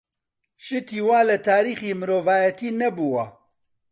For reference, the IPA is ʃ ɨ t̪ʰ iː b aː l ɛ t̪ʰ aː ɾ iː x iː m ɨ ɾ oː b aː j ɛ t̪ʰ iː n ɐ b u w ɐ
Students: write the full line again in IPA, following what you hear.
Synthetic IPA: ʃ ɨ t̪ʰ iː w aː l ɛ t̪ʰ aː ɾ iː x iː m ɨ ɾ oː v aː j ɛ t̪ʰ iː n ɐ b u w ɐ